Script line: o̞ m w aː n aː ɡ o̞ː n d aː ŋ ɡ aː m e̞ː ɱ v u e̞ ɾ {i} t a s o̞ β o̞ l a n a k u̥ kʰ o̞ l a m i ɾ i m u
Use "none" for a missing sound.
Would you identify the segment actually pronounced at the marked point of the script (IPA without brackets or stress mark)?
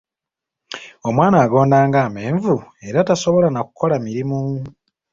a